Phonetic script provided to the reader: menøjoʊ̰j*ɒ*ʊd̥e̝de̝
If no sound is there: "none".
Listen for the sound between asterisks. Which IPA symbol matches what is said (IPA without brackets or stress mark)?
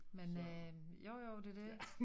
o